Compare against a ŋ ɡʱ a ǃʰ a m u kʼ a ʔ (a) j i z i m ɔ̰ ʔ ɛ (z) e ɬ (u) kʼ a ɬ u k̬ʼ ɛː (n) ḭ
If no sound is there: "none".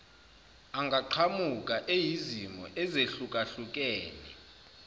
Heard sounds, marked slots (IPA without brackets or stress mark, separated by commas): e, z, u, n